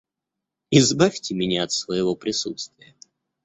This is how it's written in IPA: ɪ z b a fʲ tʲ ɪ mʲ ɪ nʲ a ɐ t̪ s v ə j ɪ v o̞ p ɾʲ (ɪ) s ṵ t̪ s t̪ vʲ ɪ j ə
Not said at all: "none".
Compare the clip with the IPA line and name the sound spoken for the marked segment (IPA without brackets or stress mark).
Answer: ɪ